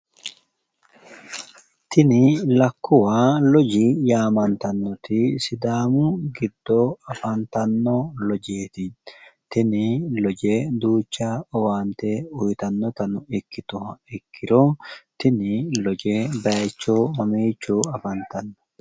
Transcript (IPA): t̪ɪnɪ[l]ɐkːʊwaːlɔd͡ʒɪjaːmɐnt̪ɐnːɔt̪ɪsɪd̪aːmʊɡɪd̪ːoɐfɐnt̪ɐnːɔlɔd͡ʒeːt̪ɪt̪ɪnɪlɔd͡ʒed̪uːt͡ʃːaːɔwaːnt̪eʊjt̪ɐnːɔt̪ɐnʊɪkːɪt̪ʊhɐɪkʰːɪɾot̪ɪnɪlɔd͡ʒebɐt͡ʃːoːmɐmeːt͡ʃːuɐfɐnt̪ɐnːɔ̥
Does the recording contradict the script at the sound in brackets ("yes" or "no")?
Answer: no